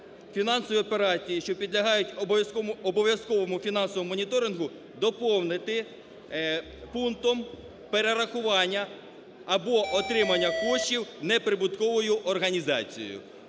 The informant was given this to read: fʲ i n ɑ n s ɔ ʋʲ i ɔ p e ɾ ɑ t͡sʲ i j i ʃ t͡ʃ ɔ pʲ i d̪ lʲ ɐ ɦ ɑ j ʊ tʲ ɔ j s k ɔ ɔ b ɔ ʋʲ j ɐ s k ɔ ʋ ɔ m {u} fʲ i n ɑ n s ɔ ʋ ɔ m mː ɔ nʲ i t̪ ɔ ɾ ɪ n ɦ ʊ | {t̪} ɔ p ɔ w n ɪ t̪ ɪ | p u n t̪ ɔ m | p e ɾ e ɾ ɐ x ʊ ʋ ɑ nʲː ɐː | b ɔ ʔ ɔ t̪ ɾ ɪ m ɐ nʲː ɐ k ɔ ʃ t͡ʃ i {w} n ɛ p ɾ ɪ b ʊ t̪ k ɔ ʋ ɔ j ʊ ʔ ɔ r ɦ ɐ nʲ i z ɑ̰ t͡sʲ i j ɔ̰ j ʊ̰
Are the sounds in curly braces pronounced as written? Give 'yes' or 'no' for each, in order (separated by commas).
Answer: no, no, yes